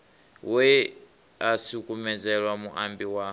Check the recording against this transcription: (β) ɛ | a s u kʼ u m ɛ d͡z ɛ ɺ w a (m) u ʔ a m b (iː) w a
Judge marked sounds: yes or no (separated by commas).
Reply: no, yes, no